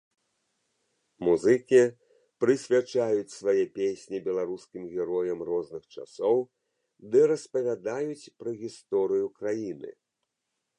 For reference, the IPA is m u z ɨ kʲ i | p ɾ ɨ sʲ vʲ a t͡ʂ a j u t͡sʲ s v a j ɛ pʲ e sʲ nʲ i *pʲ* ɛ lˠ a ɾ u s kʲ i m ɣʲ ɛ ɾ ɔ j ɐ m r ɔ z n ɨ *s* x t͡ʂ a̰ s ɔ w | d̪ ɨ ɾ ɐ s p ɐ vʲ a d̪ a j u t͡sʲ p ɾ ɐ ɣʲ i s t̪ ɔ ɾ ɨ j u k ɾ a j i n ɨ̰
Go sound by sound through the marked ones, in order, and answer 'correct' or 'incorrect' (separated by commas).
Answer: incorrect, incorrect